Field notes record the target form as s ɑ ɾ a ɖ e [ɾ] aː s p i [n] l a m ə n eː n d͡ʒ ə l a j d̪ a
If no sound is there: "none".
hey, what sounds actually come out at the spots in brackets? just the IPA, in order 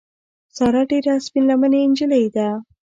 ɾ, n

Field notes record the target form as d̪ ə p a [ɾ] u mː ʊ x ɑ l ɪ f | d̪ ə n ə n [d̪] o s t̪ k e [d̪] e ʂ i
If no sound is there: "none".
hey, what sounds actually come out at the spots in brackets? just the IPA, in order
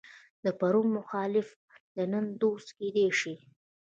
ɾ, d̪, d̪

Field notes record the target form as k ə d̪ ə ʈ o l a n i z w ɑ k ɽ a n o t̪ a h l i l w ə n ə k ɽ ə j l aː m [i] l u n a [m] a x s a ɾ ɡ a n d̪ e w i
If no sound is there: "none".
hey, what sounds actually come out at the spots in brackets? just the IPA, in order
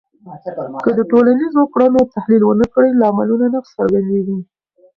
a, n

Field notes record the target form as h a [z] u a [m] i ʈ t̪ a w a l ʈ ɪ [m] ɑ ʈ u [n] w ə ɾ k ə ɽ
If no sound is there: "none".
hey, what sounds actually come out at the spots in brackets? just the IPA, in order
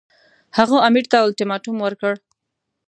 ɣ, m, m, m

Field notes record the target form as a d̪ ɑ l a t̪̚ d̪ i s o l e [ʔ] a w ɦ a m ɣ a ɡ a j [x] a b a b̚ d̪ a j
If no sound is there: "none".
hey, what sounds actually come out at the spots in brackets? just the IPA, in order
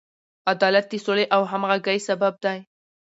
ʔ, s

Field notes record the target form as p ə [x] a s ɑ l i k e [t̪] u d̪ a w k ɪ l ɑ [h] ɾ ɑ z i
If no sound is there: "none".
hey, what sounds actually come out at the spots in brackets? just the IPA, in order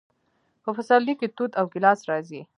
f, t̪, s

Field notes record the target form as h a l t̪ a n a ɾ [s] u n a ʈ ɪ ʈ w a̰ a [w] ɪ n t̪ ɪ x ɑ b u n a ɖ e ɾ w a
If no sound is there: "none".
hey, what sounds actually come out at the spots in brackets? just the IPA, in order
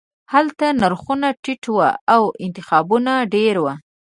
x, w

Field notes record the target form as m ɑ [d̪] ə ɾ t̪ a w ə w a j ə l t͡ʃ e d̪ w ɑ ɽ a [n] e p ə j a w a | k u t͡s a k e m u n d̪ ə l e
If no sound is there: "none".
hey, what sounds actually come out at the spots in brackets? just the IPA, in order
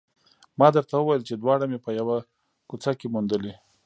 d̪, m

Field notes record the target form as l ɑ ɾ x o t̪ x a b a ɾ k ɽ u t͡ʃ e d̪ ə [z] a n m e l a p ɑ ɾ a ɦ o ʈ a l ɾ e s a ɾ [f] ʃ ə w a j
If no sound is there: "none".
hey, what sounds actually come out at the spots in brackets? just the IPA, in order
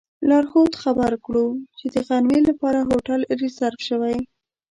ɣ, f

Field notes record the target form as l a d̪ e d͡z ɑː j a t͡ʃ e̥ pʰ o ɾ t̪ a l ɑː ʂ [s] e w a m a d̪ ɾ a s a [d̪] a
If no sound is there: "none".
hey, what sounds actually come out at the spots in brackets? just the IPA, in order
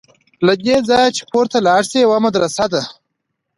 s, d̪

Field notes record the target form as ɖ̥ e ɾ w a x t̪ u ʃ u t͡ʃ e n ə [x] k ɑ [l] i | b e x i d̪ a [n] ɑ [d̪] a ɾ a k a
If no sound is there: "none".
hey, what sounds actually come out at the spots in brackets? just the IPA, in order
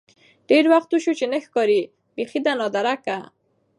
x, ɾ, n, d̪

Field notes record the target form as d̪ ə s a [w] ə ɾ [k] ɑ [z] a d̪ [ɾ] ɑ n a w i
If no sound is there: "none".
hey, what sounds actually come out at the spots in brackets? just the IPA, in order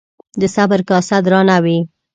b, k, s, ɾ

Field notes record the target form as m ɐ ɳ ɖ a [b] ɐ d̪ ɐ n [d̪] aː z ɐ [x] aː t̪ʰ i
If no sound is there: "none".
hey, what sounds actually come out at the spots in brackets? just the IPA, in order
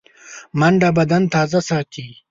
b, t̪, s

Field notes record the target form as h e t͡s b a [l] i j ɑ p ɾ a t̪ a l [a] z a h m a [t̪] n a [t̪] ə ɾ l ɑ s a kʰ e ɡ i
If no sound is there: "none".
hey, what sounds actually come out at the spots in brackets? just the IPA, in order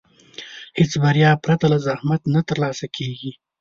ɾ, a, t̪, t̪

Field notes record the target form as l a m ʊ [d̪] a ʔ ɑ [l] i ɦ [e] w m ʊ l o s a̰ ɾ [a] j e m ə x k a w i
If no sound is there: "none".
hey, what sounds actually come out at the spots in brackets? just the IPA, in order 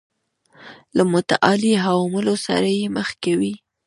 t̪, l, a, a

